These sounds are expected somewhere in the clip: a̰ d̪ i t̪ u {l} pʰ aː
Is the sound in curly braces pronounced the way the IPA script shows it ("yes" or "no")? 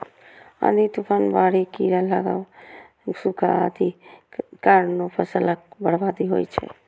no